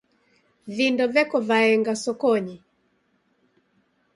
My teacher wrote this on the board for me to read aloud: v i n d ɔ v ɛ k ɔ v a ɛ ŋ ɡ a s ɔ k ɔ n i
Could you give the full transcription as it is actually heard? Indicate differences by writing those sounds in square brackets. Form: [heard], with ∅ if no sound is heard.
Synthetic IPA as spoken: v i n d ɔ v ɛ k ɔ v a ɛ ŋ ɡ a s ɔ k ɔ [ɲ] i